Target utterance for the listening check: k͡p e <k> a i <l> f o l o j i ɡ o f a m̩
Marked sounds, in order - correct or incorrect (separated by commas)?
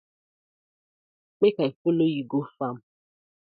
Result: correct, incorrect